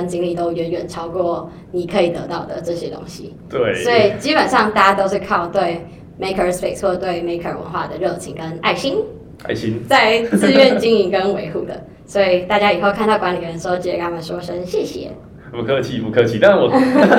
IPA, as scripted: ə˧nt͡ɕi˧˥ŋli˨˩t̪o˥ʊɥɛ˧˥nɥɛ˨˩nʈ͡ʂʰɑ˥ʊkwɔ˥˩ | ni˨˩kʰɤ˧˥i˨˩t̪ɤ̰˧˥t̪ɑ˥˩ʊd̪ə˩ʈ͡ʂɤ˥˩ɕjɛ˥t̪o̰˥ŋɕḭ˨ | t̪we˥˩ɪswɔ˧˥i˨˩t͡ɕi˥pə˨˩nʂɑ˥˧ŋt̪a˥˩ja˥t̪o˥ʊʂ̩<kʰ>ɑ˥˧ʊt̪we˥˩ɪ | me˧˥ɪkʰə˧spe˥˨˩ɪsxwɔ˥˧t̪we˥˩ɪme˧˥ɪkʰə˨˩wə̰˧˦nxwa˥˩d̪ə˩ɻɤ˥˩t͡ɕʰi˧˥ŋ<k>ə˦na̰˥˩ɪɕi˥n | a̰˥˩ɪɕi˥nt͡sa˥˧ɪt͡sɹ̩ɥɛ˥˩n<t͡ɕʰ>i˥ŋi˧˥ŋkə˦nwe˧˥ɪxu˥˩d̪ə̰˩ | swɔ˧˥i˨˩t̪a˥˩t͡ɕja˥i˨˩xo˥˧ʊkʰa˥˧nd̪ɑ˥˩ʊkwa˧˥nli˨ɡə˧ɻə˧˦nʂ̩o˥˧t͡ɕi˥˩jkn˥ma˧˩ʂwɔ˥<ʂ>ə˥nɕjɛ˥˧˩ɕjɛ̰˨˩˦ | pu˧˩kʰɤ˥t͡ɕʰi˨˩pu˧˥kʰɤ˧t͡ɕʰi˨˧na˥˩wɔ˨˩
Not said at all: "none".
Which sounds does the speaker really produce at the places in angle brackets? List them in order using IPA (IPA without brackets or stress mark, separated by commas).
kʰ, k, t͡ɕ, ʂ